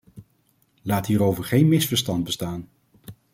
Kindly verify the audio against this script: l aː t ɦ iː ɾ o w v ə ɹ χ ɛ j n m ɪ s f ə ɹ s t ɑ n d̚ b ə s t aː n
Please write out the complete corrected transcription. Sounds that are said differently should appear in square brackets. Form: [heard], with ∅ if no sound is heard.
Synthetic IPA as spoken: l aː t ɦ iː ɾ o w v ə ɹ χ [e] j n m ɪ s f ə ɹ s t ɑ n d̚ b ə s t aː n